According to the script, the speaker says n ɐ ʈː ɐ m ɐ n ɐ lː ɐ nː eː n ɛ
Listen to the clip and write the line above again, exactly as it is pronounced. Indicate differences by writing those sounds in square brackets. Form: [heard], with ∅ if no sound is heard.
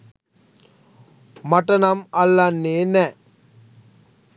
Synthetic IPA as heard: [m] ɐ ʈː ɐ [n] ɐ [m] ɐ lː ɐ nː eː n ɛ